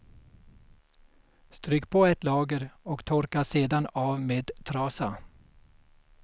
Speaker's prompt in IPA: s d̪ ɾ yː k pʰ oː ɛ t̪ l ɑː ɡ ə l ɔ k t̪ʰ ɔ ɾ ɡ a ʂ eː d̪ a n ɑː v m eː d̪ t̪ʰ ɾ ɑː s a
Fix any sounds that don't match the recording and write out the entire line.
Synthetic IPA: s t̪ ɾ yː k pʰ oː ɛ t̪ l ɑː ɡ ə ɾ ɔ k t̪ʰ ɔ ɾ k a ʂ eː d̪ a n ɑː v m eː d̪ t̪ʰ ɾ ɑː s a

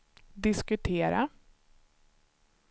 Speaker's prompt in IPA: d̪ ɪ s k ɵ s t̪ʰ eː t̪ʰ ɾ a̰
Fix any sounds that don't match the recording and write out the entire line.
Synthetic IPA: d̪ ɪ s k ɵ t̪ʰ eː ɾ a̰

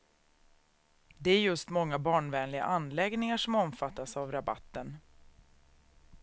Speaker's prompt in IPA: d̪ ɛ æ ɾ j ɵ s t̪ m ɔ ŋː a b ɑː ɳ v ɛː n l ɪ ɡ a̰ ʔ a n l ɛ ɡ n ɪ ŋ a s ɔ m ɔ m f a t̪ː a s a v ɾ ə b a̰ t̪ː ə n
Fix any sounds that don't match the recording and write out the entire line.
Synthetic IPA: d̪ ɛ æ ɾ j ɵ s t̪ m ɔ ŋː a b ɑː ɳ v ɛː n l ɪ ɡ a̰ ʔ a n l ɛ ɡ n ɪ ŋ a ʂ ɔ m ɔ m f a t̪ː a s a v ɾ a b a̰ t̪ː ə n

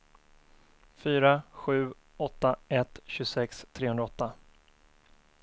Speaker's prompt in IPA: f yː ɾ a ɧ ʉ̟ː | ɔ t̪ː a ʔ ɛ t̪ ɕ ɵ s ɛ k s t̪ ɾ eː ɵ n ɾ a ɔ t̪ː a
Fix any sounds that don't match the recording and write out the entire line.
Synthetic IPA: f yː ɾ a ɧ ʉ̟ː | ɔ t̪ː a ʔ ɛ t̪ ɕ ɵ s ɛ k s t̪ʰ ɾ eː ɵ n ɾ a ɔ t̪ː a

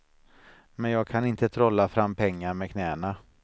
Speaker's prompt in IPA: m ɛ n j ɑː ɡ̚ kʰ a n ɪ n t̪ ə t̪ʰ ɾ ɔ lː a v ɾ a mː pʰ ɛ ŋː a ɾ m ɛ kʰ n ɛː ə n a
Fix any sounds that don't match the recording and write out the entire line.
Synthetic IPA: m ɛ n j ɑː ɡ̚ kʰ a n ɪ n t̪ ə t̪ʰ ɾ ɔ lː a f ɾ a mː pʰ ɛ ŋː a ɾ m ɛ kʰ n ɛː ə n a

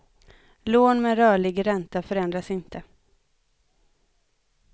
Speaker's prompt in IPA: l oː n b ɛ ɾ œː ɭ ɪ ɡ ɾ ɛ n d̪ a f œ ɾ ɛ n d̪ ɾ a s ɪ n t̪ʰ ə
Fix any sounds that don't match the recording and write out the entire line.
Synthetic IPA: l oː n m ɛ ɾ œː ɭ ɪ ɡ ɾ ɛ n t̪ a f œ ɾ ɛ n d̪ ɾ a s ɪ n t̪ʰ ə

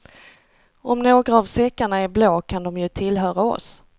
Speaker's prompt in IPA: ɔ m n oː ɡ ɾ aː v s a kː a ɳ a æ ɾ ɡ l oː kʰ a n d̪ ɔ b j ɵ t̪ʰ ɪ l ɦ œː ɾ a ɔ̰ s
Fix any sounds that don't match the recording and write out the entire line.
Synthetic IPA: ɔ m n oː ɡ ɾ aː v s ɛ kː a ɳ a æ ɾ b l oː kʰ a n d̪ ɔ m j ɵ t̪ʰ ɪ l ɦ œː ɾ a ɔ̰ s

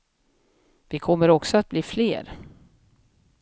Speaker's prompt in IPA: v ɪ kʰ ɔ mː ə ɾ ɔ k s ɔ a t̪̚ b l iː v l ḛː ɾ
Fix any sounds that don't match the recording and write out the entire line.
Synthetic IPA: v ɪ kʰ ɔ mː ə ɾ ɔ k s ɔ a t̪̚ b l iː f l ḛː ɾ

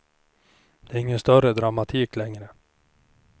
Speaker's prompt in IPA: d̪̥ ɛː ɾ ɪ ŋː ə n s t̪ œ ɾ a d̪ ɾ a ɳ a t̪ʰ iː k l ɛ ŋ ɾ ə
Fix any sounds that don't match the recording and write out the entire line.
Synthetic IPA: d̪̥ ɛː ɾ ɪ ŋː ə n s t̪ œ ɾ ə d̪ ɾ a m a t̪ʰ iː k l ɛ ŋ ɾ ə

